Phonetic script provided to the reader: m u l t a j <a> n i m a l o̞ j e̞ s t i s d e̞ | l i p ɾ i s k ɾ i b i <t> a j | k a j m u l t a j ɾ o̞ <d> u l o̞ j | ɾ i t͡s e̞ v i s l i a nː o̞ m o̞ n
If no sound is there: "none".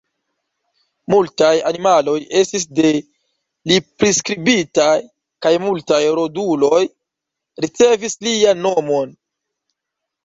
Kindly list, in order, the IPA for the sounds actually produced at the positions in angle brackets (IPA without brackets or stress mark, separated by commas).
a, t, d